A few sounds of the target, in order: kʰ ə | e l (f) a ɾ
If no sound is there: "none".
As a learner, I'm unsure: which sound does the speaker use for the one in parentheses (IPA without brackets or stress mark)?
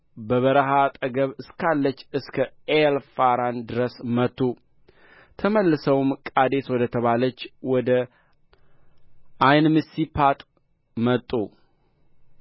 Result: f